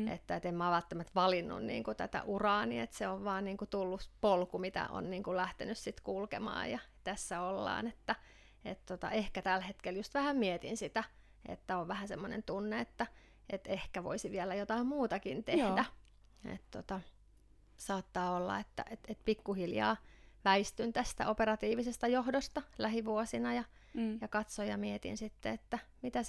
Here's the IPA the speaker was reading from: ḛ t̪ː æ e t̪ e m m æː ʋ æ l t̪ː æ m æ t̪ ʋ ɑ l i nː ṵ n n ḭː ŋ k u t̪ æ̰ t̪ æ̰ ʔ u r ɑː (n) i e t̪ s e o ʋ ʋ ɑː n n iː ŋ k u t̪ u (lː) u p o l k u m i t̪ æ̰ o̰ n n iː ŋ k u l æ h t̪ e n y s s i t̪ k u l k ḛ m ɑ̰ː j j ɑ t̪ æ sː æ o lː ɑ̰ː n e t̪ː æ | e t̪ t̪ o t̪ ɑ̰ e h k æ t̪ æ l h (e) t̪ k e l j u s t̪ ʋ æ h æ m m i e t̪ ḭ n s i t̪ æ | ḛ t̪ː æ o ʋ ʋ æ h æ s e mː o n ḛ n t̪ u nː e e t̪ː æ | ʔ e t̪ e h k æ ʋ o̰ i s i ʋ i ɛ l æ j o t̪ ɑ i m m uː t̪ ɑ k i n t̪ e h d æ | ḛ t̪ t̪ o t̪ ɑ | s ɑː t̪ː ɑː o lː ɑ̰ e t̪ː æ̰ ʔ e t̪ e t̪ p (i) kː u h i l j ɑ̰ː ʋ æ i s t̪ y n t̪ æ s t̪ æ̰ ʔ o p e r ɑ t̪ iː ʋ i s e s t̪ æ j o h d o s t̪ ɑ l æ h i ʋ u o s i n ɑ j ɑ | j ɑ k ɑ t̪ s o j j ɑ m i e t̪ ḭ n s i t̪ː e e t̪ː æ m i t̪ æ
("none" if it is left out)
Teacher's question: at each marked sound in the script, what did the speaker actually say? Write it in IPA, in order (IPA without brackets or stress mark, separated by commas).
n, lː, e, i